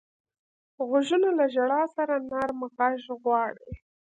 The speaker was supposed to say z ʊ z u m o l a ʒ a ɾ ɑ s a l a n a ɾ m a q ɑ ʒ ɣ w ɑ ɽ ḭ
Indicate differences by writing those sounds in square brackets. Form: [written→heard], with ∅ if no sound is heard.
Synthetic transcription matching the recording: [z→ɣ] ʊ [z→ʒ] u [m→n] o l a ʒ a [ɾ→ɽ] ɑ s a [l→ɾ] a n a ɾ m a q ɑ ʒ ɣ w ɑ ɽ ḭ